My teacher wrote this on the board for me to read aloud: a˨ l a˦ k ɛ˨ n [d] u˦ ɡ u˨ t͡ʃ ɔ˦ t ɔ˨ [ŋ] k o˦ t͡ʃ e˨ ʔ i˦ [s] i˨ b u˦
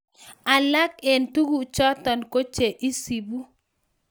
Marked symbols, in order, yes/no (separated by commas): no, no, yes